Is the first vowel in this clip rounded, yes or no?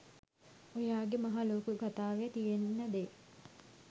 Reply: yes